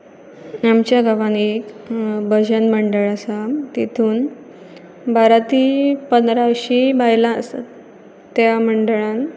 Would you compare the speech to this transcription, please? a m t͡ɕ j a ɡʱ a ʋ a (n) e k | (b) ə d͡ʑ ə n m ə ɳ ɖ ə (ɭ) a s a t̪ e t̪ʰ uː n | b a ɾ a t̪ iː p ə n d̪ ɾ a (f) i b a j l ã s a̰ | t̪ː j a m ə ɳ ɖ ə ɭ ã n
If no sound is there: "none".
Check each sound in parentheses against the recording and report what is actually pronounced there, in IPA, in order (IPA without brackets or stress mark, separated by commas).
n, b, ɭ, ɕ